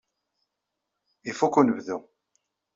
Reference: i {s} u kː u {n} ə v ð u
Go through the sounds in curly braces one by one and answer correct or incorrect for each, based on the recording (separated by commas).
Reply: incorrect, correct